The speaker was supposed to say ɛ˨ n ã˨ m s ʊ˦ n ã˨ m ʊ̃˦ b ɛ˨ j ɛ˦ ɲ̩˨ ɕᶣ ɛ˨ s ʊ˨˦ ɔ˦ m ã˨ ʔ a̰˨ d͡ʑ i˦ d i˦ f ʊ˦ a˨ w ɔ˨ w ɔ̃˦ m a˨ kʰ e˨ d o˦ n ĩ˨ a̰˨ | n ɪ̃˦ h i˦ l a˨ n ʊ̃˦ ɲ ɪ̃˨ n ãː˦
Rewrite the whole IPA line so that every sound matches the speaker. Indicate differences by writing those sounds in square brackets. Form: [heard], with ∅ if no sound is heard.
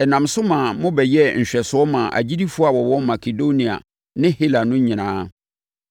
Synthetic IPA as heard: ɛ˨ n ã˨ m s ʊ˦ [m] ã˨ m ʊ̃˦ b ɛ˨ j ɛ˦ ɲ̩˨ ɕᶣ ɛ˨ s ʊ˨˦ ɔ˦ m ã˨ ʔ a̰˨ d͡ʑ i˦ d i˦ f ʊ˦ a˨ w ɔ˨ w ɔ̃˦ m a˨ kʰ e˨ d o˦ n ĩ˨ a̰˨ | n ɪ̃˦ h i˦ l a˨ n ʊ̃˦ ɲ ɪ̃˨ n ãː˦